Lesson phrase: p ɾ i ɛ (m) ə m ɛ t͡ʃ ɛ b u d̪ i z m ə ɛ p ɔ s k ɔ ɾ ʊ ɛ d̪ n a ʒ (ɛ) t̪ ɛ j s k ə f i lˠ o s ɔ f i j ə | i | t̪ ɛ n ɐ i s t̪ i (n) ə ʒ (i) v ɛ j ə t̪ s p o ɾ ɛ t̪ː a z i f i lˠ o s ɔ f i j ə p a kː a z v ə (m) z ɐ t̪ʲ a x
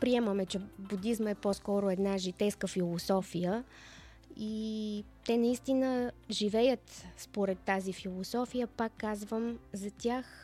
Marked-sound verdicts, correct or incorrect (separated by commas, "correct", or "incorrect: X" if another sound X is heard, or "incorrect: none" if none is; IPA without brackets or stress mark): correct, incorrect: i, correct, correct, correct